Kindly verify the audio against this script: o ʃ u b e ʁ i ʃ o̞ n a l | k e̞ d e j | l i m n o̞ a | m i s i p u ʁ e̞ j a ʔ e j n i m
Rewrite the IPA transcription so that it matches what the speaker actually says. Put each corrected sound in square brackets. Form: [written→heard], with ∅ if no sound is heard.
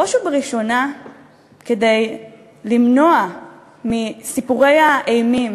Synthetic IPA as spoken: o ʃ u b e ʁ i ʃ o̞ n a [l→∅] | k e̞ d e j | l i m n o̞ a | m i s i p u ʁ e̞ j a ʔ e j [n→m] i m